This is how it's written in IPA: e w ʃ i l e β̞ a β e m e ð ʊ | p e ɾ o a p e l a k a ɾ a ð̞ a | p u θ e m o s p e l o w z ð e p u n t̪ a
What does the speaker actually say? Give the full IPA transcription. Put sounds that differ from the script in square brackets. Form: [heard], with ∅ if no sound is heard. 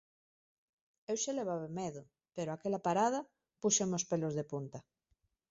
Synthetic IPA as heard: e w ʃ [e] l e β̞ a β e m e ð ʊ | p e ɾ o a [k] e l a [p] a ɾ a ð̞ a | p u [ʃ] e m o s p e l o [∅] z ð e p u n t̪ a